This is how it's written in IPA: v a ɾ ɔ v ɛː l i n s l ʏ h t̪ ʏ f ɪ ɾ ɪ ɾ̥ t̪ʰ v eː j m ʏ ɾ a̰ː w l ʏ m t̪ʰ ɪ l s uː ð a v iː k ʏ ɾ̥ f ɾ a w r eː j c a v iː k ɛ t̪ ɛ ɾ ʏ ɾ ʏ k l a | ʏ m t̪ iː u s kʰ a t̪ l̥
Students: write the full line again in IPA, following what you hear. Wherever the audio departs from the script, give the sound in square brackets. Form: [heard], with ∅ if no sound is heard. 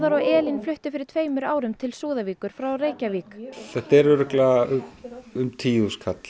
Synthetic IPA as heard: [ð] a ɾ ɔ [ɣ] ɛː l i n [f] l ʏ h t̪ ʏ f ɪ ɾ ɪ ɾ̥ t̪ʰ v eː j m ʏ ɾ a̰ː w [ɾ] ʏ m t̪ʰ ɪ l s uː ð a v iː k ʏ ɾ̥ f ɾ a w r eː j c a v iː k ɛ t̪ ɛ ɾ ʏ ɾ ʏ k l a | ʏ m [t̪ʰ] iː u s kʰ a t̪ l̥